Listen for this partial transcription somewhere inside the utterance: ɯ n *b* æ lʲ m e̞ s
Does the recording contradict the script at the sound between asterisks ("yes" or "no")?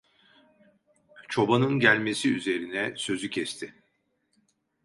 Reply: yes